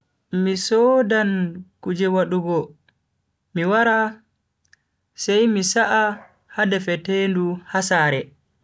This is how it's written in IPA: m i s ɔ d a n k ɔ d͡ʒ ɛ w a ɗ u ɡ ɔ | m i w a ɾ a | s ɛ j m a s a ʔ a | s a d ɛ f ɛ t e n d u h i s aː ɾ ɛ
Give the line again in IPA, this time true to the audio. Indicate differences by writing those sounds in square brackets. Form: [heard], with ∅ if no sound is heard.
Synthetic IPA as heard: m i s ɔ d a n k [u] d͡ʒ ɛ w a ɗ u ɡ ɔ | m i w a ɾ a | s ɛ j m [i] s a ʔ a | [h] a d ɛ f ɛ t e n d u h [a] s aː ɾ ɛ